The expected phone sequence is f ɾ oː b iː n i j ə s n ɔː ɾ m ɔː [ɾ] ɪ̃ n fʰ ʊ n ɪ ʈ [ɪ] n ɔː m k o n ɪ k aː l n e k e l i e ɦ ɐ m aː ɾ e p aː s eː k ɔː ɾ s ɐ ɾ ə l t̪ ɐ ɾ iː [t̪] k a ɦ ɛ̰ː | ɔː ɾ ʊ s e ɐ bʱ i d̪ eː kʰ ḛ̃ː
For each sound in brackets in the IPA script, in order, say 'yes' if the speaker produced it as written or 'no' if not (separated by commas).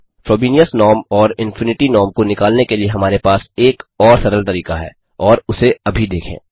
yes, no, no